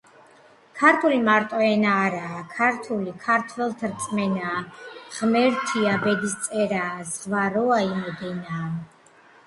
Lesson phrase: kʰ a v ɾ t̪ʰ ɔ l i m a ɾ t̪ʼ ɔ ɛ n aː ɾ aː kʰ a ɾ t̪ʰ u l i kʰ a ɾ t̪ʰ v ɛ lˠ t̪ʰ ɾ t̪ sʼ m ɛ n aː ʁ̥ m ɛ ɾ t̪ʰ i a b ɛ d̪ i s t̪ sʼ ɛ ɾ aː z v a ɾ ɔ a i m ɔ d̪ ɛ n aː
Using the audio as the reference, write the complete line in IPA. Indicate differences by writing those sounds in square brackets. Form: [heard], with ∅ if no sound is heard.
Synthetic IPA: kʰ a [∅] ɾ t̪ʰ [u] l i m a ɾ t̪ʼ ɔ ɛ n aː ɾ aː kʰ a ɾ t̪ʰ u l i kʰ a ɾ t̪ʰ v ɛ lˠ t̪ʰ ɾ t̪ sʼ m ɛ n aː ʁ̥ m ɛ ɾ t̪ʰ i a b ɛ d̪ i s t̪ sʼ ɛ ɾ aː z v a ɾ ɔ a i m ɔ d̪ ɛ n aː